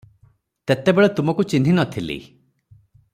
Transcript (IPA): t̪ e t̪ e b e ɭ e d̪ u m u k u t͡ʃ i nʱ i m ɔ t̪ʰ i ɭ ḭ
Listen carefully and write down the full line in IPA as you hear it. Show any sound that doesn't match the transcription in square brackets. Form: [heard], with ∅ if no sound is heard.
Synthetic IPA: t̪ e t̪ e b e ɭ e [t̪] u m [ɔ] k u t͡ʃ i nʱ i [n] ɔ t̪ʰ i [l] ḭ